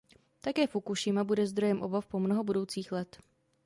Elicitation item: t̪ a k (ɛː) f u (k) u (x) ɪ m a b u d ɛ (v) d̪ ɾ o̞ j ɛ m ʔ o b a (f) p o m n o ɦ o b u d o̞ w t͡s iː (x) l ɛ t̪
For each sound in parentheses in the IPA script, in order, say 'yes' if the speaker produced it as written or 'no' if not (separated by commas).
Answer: yes, yes, no, no, yes, yes